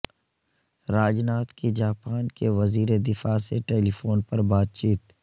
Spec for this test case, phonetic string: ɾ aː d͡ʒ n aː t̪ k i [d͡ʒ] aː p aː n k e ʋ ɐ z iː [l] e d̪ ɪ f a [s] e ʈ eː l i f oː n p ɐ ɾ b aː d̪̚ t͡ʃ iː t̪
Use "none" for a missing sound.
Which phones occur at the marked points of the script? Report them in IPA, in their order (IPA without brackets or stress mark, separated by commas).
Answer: d͡ʒ, ɾ, s